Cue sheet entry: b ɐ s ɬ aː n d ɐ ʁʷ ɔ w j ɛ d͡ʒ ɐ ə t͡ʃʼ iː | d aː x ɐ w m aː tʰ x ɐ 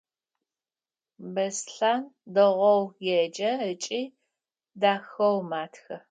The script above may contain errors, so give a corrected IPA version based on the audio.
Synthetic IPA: b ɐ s ɬ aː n d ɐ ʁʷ ɔ w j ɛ d͡ʒ ɐ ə t͡ʃʼ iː | d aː x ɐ w m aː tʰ x ɐ